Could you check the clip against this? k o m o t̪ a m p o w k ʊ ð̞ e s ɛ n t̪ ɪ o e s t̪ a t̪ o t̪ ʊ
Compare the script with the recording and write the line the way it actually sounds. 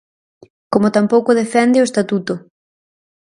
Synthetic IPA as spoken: k o m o t̪ a m p o w k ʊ ð̞ e f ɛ n d̪ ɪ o e s t̪ a t̪ u t̪ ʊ